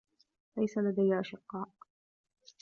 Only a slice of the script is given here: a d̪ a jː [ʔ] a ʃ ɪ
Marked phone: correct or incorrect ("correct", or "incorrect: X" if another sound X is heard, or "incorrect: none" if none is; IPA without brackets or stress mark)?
correct